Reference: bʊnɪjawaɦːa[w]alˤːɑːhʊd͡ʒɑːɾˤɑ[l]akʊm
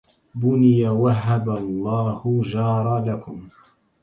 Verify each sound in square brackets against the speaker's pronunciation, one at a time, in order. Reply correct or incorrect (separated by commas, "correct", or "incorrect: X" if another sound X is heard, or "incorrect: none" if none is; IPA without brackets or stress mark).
incorrect: b, correct